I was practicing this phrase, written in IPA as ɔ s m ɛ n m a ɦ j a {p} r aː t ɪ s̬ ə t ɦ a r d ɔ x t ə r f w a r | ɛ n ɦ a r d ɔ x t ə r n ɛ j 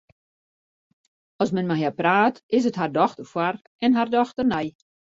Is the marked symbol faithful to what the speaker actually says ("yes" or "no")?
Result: yes